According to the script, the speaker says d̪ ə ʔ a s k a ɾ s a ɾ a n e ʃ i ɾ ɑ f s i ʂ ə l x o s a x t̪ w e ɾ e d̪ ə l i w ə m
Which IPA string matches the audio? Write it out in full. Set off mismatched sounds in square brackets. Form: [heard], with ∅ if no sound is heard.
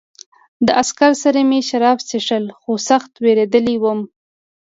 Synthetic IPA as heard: d̪ ə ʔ a s k a ɾ s a ɾ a [m] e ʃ [a] ɾ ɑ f s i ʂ ə l x o s a x t̪ w e ɾ e d̪ ə l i w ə m